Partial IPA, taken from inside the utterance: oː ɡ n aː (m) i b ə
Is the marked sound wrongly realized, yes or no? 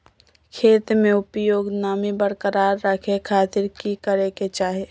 no